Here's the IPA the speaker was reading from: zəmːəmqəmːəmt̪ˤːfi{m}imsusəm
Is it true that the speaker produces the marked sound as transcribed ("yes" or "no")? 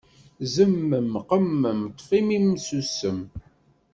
yes